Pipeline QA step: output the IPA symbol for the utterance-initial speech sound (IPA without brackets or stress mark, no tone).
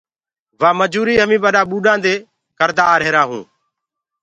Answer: ʋ